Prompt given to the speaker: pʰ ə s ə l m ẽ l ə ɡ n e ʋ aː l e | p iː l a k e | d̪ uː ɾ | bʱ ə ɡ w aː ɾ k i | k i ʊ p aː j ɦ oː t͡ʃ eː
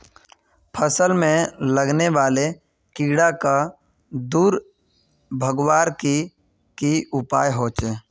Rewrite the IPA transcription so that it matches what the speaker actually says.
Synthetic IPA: pʰ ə s ə l m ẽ l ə ɡ n e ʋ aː l e | k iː ɽ a k a | d̪ uː ɾ | bʱ ə ɡ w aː ɾ k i | k i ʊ p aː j ɦ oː t͡ʃ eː